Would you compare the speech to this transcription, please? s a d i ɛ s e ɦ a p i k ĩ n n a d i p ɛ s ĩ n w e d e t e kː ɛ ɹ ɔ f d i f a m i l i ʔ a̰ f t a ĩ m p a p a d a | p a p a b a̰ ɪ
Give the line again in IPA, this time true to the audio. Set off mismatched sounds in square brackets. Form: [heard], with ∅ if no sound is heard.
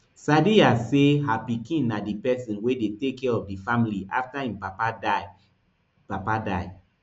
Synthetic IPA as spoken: s a d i [a] s e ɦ a p i k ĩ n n a d i p ɛ s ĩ n w e d e t e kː ɛ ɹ ɔ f d i f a m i l i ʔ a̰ f t a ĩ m p a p a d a | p a p a [d] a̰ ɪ